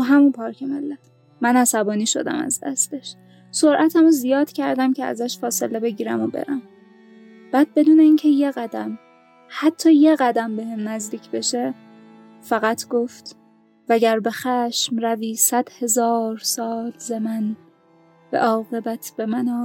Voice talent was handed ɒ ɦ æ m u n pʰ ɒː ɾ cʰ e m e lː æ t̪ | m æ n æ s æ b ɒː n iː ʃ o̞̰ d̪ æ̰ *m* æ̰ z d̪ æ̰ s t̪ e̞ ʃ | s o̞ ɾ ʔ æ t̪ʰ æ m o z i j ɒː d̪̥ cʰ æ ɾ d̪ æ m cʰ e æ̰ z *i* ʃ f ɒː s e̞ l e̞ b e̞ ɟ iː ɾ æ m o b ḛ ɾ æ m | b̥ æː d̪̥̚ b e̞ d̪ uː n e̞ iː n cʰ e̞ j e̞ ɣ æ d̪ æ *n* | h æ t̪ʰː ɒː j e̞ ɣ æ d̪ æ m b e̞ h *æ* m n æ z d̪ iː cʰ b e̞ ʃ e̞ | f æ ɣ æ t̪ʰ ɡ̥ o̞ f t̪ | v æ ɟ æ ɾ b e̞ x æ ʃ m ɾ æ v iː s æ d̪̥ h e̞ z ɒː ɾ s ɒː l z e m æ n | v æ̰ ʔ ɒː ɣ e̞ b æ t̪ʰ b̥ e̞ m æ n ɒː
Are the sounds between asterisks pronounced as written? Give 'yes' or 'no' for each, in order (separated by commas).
yes, no, no, no